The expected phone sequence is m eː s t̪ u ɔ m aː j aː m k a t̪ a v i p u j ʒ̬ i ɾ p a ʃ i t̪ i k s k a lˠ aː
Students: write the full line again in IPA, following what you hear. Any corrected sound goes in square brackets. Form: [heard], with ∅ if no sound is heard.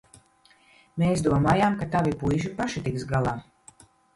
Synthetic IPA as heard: m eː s [d̪] u ɔ m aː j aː m k a t̪ a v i p u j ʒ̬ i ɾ p a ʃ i t̪ i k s [ɡ] a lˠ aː